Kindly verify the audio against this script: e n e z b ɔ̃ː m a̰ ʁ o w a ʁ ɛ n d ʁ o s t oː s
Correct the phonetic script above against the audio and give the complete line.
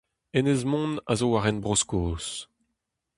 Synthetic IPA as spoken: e n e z m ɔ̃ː n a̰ z o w a ʁ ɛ n b ʁ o s k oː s